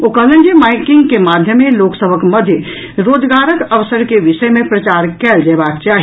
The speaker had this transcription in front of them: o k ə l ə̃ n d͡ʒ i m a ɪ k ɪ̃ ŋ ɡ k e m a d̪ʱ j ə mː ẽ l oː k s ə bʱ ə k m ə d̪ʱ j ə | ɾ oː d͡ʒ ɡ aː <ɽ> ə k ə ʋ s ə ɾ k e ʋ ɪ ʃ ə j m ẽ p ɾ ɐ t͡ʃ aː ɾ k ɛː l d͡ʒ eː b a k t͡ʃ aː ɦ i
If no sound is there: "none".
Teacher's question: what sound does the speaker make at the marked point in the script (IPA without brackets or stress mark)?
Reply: ɾ